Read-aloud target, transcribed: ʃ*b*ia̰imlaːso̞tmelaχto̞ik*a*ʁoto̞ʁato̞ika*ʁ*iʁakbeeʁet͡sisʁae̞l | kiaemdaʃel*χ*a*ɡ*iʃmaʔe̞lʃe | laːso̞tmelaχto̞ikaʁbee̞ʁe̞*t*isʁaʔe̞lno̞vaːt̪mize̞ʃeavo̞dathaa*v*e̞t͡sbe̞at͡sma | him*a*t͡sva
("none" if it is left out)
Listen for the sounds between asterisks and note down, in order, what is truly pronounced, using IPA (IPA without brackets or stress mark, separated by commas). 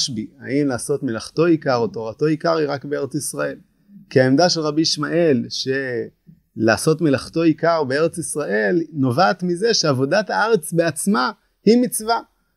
b, a, ʁ, ʁ, b, t͡s, ʁ, i